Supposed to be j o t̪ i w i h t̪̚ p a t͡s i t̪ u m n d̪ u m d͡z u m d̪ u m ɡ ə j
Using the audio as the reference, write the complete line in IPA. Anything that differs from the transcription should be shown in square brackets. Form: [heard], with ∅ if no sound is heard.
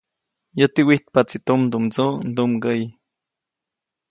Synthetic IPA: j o t̪ i w i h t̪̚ p a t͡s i t̪ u m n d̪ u m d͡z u [n] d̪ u m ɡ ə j